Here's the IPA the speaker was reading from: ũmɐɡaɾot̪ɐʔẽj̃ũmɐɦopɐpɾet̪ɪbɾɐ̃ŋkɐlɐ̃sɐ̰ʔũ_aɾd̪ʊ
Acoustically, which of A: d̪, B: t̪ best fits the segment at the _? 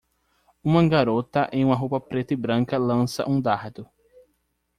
A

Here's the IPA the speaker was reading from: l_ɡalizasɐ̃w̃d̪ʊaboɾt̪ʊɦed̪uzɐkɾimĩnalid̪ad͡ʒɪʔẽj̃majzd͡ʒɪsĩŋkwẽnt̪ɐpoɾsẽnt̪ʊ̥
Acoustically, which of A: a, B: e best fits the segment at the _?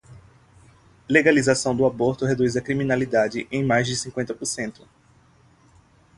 B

